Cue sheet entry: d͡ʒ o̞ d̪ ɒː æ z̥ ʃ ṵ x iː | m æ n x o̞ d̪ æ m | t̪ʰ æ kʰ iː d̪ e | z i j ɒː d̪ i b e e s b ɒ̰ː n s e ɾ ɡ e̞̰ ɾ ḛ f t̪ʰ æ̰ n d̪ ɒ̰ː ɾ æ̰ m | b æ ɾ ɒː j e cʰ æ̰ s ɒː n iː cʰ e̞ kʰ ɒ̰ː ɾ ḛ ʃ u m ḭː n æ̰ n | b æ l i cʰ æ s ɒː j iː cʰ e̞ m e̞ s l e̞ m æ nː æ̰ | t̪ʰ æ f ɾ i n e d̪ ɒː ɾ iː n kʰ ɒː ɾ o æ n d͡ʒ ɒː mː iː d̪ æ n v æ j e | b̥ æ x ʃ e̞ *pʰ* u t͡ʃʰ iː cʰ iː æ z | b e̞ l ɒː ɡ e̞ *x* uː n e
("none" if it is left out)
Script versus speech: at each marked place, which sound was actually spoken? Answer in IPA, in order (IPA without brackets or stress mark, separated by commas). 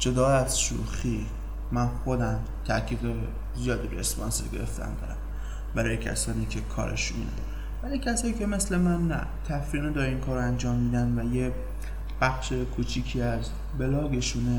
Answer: kʰ, ʃ